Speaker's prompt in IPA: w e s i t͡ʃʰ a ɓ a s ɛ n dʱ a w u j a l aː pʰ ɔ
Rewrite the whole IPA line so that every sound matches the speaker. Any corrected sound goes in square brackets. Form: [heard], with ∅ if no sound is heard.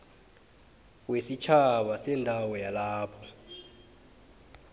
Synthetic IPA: w e s i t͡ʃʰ a ɓ a s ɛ n dʱ a w [ɔ] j a l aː pʰ ɔ